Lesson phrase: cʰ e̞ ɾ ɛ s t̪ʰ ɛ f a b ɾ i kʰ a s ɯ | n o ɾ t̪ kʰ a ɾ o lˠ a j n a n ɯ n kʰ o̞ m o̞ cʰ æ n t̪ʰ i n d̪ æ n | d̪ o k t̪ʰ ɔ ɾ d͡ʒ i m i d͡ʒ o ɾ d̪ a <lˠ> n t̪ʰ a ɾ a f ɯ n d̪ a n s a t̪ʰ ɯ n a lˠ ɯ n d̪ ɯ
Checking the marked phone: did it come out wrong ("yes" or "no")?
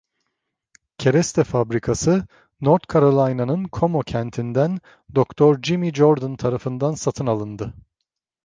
yes